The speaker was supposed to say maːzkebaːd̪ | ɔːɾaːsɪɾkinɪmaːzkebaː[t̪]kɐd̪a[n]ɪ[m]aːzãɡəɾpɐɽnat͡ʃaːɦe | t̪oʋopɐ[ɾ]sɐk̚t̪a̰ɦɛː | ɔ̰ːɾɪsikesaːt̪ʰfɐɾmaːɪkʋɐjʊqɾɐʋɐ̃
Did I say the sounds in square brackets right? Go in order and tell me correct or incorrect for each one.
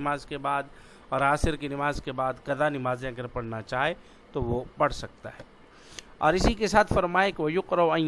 incorrect, correct, correct, incorrect

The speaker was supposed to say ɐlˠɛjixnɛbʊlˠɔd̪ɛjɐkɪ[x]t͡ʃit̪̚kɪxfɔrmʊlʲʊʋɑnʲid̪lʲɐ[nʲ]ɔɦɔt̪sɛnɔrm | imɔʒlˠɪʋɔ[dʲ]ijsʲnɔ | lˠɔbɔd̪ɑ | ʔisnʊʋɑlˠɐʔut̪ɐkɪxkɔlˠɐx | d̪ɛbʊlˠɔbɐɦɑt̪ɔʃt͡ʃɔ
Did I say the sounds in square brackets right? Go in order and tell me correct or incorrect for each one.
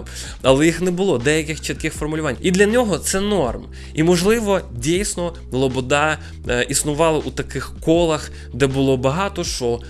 correct, correct, correct

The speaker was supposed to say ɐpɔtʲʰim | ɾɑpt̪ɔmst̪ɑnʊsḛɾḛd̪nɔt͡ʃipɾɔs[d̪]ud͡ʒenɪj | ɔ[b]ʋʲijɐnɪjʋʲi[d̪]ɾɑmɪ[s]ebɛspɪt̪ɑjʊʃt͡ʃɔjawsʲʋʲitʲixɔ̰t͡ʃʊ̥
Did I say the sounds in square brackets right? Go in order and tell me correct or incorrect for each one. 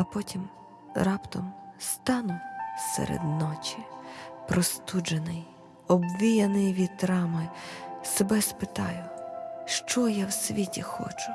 incorrect, correct, incorrect, correct

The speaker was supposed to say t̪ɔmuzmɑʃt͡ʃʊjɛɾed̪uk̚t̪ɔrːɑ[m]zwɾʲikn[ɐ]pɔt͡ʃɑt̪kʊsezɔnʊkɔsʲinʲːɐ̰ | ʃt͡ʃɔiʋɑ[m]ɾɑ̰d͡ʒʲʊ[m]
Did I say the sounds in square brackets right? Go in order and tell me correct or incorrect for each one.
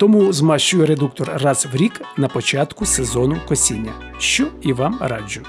incorrect, correct, correct, incorrect

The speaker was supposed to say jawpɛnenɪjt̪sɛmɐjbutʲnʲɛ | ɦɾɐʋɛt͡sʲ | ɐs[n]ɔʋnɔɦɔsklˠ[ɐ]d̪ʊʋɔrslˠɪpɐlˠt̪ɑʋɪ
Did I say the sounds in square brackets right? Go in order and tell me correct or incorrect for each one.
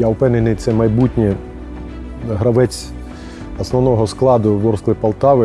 correct, incorrect

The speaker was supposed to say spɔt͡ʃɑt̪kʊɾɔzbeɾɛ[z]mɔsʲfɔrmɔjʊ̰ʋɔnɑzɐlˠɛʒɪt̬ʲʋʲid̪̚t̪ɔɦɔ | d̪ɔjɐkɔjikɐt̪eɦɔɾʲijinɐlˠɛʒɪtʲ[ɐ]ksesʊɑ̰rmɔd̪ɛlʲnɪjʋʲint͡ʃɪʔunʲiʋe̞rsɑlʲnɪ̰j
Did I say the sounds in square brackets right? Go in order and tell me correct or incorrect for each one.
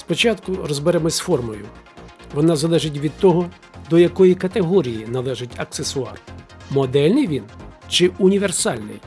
incorrect, correct

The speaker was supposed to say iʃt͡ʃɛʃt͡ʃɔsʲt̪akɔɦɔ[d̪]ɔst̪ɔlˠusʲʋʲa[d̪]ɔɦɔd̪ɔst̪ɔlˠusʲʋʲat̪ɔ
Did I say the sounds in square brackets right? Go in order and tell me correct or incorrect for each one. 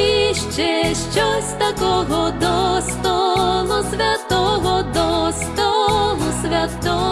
correct, incorrect

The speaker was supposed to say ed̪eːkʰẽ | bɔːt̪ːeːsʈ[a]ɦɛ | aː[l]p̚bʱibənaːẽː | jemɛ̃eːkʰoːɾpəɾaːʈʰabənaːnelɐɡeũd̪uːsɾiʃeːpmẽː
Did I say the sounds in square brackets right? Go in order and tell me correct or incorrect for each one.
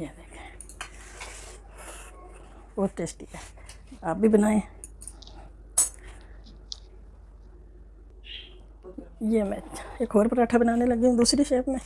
incorrect, incorrect

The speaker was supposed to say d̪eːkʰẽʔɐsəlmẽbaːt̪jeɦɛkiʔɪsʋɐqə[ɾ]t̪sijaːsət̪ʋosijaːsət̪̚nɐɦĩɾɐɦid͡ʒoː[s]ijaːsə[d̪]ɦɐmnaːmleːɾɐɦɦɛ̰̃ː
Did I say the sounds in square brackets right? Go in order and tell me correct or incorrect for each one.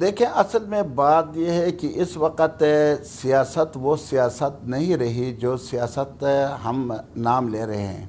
incorrect, correct, incorrect

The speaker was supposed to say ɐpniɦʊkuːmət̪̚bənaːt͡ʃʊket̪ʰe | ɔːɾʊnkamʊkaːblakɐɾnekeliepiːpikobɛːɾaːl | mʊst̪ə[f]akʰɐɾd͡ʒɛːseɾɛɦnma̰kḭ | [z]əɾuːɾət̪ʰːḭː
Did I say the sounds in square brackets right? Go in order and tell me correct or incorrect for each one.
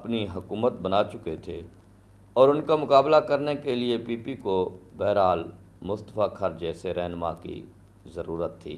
correct, correct

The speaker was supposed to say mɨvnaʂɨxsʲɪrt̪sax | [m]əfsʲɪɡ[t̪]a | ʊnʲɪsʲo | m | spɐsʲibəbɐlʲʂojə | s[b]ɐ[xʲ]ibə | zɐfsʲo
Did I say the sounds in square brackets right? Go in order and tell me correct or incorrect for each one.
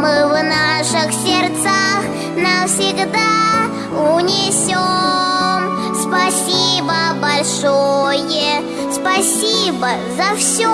incorrect, incorrect, incorrect, incorrect

